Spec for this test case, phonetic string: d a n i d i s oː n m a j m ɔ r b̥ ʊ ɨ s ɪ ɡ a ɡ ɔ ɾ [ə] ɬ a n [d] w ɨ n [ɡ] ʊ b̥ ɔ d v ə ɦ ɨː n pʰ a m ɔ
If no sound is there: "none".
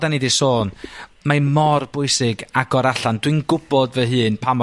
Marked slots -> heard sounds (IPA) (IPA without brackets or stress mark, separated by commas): a, d, ɡ